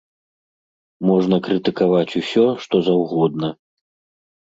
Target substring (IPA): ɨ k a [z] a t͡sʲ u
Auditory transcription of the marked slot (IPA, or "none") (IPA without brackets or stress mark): v